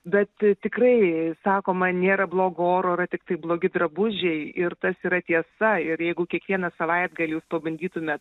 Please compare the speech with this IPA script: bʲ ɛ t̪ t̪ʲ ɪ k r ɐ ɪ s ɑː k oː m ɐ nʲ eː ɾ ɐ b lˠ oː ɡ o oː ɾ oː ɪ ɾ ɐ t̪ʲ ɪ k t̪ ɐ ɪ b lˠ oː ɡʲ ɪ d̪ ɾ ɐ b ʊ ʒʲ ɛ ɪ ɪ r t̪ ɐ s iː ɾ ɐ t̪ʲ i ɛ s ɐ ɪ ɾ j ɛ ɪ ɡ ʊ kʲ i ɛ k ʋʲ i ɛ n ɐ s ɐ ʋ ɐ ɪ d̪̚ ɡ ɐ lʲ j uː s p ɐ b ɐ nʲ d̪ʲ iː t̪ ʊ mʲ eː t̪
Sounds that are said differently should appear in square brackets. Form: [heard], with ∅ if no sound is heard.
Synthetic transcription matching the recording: bʲ ɛ t̪ t̪ʲ ɪ k r ɐ ɪ s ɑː k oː m ɐ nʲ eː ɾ ɐ b lˠ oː ɡ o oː ɾ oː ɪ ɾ ɐ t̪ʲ ɪ k t̪ ɐ ɪ b lˠ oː ɡʲ ɪ d̪ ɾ ɐ b ʊ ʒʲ ɛ ɪ ɪ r t̪ ɐ s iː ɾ ɐ t̪ʲ i ɛ s ɐ ɪ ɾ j ɛ ɪ ɡ ʊ kʲ i ɛ k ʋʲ i ɛ n ɐ s ɐ ʋ ɐ ɪ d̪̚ ɡ ɐ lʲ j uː s p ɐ b ɐ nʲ d̪ʲ iː t̪ ʊ mʲ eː t̪